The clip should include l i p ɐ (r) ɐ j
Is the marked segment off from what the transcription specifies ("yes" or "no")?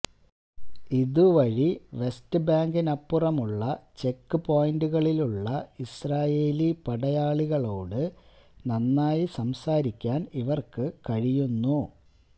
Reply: yes